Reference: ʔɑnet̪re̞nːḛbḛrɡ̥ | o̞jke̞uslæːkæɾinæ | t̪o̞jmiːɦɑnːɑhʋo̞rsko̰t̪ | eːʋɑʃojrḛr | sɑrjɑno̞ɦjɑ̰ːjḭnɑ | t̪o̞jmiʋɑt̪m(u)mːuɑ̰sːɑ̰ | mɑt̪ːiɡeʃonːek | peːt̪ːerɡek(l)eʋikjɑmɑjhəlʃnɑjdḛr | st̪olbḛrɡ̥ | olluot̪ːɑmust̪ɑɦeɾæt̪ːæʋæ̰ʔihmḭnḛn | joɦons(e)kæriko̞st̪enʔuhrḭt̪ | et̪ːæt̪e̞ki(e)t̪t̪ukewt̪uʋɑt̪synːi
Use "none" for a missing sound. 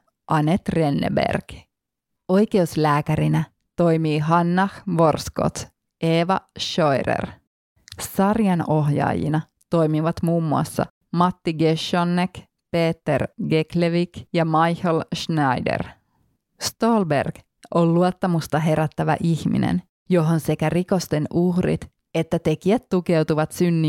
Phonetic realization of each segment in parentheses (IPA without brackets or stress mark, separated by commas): uː, l, e, æ